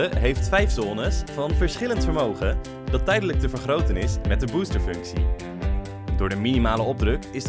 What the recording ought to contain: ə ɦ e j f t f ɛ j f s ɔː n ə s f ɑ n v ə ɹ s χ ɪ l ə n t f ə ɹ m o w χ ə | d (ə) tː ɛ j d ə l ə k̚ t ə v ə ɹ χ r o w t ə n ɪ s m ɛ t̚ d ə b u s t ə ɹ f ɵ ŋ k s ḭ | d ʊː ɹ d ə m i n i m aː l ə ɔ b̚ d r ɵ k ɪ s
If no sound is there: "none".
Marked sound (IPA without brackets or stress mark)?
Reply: ɑ